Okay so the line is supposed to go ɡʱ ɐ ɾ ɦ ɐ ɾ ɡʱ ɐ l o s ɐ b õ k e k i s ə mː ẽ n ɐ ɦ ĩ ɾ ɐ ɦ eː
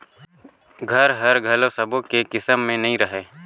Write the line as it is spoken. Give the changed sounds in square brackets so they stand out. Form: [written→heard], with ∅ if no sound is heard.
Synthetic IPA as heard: ɡʱ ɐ ɾ ɦ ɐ ɾ ɡʱ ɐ l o s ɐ b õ k e k [i→ɪ] s ə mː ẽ n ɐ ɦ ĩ ɾ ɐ ɦ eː